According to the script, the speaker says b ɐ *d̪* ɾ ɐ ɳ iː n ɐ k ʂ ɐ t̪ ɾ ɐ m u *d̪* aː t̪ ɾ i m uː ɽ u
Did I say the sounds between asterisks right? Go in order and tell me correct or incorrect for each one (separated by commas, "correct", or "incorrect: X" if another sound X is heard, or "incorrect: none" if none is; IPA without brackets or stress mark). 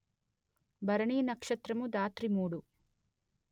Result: incorrect: none, correct